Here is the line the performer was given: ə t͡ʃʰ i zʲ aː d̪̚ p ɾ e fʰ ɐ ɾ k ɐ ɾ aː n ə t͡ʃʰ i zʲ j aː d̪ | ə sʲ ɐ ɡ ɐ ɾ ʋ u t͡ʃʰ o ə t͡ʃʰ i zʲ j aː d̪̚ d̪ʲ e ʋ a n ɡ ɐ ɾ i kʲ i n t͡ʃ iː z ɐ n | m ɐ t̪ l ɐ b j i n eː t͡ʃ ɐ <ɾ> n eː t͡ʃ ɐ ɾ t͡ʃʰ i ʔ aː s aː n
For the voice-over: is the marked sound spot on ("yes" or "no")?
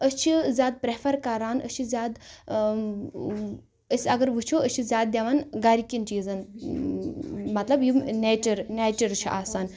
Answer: yes